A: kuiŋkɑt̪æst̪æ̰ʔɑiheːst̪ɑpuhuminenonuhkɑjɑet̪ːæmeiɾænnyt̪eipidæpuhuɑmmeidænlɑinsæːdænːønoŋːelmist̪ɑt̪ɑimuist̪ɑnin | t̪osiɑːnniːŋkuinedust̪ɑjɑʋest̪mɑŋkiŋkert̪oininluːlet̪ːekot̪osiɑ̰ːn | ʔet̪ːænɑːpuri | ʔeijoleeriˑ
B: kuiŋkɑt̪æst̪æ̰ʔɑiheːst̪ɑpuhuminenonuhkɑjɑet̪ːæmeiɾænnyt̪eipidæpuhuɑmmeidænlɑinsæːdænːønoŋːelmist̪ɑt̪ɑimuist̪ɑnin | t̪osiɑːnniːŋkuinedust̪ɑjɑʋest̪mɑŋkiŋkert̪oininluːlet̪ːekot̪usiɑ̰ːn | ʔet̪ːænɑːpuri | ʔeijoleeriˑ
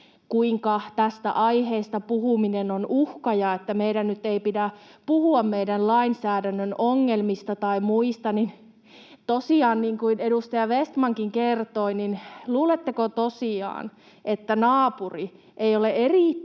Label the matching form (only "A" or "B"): A